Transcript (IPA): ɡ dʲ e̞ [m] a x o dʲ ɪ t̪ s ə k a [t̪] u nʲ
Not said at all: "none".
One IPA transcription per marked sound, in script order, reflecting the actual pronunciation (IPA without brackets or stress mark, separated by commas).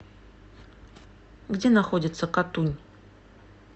n, t̪